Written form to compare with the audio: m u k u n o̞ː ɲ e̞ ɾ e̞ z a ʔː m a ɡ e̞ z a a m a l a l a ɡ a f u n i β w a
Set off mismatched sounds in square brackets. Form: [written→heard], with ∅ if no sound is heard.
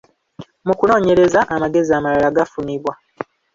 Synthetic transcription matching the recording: m u k u n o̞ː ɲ e̞ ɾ e̞ z a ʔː m a ɡ e̞ z [a→i] a m a l a l a ɡ a f u n i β w a